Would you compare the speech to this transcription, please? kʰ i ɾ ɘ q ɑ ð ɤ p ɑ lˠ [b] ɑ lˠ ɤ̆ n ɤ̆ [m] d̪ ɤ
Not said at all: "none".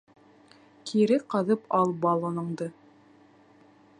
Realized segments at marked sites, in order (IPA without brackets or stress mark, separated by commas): b, ɴ